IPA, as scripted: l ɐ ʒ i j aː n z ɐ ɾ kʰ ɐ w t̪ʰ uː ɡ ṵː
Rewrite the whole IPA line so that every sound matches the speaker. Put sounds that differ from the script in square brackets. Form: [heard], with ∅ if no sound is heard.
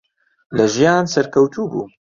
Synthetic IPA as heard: l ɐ ʒ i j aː n [s] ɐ ɾ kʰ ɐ w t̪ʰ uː [b] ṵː